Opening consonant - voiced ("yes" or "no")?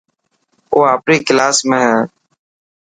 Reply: no